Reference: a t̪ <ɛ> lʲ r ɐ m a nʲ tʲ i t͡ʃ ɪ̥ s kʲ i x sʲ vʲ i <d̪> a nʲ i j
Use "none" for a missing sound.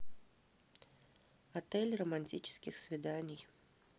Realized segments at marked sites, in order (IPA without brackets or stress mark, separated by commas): ɛ, d̪